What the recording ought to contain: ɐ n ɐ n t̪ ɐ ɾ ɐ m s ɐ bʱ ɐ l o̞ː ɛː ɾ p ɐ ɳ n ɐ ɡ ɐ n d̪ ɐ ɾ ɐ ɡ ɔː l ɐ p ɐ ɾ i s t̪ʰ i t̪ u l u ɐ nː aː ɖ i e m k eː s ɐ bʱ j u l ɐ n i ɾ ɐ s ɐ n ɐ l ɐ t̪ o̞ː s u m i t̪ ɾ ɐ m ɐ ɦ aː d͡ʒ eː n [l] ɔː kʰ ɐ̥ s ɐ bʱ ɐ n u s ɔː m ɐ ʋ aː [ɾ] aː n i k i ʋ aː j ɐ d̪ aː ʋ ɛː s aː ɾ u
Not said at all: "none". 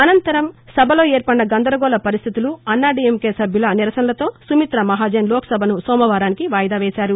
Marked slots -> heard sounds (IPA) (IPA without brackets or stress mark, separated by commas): l, ɾ